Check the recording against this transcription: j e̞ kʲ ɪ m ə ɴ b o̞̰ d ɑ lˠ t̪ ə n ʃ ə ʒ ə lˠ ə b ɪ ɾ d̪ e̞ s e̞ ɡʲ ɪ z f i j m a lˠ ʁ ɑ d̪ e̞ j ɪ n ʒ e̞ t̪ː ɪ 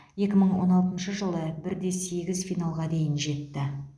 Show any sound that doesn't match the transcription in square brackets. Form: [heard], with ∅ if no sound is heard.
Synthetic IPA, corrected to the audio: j e̞ kʲ ɪ m ə ɴ [w] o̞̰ [n] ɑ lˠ t̪ ə n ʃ ə ʒ ə lˠ ə b ɪ ɾ d̪ e̞ s e̞ ɡʲ ɪ z f i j [n] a lˠ ʁ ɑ d̪ e̞ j ɪ n ʒ e̞ t̪ː ɪ